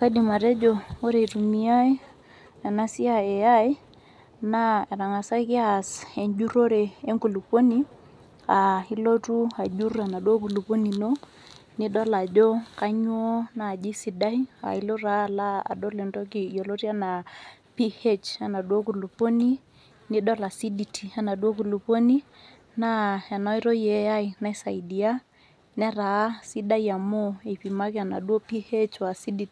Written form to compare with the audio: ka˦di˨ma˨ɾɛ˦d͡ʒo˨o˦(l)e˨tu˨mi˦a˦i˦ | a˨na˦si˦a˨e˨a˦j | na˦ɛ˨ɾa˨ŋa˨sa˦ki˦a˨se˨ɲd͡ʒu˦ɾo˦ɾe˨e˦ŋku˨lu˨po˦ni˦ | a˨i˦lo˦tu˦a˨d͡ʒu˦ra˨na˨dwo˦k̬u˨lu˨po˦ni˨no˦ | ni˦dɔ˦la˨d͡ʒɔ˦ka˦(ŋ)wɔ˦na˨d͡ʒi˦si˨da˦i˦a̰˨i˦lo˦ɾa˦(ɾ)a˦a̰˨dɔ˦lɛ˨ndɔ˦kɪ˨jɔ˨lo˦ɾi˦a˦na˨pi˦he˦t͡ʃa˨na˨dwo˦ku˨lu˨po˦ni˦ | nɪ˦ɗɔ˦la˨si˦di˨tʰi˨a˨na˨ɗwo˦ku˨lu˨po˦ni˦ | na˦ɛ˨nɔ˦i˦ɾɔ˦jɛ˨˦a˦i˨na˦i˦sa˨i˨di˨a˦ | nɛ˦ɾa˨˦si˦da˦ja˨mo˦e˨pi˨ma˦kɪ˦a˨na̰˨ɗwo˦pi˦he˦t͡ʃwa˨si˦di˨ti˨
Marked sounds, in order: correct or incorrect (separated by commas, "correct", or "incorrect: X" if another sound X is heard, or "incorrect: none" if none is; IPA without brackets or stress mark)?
incorrect: ɾ, incorrect: ɲ, incorrect: l